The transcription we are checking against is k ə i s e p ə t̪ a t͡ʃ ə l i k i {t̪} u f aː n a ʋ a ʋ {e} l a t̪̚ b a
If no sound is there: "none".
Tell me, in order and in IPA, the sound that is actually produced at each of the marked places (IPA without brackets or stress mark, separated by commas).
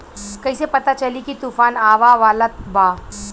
t̪, a